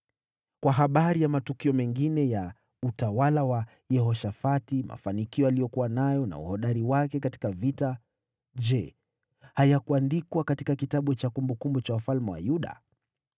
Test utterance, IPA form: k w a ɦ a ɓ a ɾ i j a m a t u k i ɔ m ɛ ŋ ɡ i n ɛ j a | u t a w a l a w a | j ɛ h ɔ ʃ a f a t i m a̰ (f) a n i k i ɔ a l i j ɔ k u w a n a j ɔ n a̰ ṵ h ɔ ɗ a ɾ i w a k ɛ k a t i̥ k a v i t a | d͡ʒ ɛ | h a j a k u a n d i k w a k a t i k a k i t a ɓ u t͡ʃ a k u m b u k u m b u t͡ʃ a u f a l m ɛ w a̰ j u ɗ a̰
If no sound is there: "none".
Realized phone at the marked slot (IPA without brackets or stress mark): f